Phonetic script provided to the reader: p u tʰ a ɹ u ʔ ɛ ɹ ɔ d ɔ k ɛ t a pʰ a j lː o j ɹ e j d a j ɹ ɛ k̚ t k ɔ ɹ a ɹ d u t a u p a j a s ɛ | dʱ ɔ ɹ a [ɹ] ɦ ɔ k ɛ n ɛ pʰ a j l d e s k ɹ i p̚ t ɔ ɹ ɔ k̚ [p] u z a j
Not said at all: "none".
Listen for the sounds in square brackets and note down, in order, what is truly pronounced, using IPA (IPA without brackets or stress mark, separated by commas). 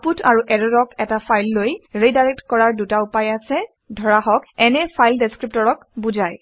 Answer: none, b